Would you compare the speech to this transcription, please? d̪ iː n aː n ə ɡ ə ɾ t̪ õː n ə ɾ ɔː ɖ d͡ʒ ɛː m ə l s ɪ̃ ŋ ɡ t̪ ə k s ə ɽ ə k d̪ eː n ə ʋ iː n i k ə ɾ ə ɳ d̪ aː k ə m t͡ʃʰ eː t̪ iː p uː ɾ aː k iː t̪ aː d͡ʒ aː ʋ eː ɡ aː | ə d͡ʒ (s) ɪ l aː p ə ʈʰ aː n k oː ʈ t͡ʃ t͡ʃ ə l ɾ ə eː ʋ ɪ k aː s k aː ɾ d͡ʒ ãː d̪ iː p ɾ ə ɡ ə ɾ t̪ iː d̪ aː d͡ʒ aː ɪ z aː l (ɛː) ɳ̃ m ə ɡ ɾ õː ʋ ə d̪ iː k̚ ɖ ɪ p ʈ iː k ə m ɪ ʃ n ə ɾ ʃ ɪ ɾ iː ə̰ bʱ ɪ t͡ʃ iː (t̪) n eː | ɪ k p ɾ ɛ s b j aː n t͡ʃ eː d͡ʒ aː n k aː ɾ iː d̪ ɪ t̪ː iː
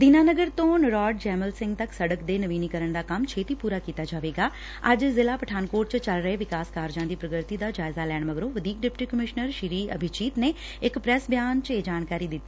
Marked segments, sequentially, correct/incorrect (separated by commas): incorrect, correct, correct